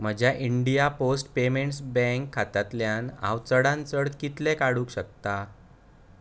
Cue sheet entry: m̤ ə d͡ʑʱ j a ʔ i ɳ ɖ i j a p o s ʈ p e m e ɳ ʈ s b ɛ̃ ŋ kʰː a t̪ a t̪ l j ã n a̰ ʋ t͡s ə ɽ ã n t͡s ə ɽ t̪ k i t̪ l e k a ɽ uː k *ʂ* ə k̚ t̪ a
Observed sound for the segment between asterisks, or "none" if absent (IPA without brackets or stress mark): ɕ